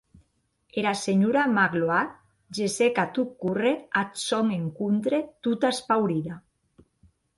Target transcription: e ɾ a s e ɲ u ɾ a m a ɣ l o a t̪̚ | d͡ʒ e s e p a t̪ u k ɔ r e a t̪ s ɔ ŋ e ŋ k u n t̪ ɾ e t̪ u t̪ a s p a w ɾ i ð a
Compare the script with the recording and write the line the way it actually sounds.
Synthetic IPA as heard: e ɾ a s e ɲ u ɾ a m a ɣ l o a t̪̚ | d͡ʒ e s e k a t̪ u k u r e a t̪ s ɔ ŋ e ŋ k u n t̪ ɾ e t̪ u t̪ a s p a w ɾ i ð a